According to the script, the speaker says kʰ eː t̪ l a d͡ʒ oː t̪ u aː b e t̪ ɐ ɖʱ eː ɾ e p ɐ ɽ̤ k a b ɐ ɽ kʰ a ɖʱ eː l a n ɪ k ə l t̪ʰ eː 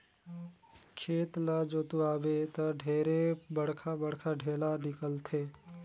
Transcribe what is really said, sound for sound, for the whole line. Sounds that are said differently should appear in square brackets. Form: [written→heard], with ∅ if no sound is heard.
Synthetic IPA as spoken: kʰ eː t̪ l a d͡ʒ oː t̪ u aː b e t̪ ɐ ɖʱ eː ɾ e [p→b] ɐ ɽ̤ [k→kʰ] a b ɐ ɽ kʰ a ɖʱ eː l a n ɪ k ə l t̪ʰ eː